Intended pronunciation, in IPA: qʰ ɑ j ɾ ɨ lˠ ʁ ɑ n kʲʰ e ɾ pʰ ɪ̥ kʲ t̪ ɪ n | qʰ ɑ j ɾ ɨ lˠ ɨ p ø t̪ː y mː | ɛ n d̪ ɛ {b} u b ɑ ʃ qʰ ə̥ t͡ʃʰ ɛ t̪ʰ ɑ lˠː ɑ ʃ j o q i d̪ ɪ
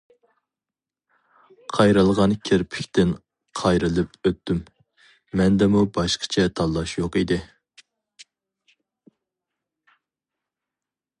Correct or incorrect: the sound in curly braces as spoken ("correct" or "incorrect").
incorrect